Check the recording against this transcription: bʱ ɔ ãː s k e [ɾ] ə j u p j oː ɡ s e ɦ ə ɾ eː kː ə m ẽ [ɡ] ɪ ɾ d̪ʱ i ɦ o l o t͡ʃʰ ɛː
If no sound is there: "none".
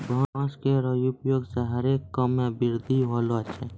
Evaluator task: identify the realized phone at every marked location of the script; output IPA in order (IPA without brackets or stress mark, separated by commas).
ɾ, b